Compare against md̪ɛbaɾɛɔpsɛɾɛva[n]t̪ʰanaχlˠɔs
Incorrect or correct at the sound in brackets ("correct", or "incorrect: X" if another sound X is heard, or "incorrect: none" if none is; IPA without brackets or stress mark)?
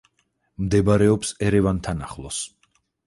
correct